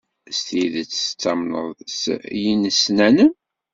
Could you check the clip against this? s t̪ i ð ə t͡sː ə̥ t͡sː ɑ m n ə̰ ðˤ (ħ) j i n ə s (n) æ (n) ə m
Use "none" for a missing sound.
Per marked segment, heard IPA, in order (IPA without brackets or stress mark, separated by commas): s, n, n